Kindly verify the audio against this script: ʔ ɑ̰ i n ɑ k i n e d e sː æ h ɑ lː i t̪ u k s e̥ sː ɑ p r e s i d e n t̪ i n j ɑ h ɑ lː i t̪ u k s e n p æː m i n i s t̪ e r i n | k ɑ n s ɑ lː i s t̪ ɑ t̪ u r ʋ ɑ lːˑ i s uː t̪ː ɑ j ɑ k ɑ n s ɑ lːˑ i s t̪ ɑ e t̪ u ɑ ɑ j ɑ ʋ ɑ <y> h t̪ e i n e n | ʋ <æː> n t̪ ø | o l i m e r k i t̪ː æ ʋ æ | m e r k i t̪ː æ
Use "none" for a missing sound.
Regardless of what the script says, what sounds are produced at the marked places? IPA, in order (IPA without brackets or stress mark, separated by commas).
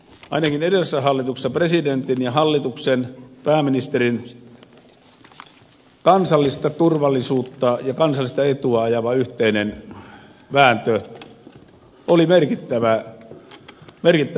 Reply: y, æː